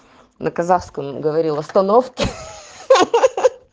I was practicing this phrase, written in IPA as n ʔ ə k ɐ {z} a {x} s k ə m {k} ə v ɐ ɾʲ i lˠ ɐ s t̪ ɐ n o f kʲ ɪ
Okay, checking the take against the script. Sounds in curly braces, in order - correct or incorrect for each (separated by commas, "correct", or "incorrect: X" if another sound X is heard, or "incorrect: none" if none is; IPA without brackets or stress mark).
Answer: correct, incorrect: f, incorrect: ɡ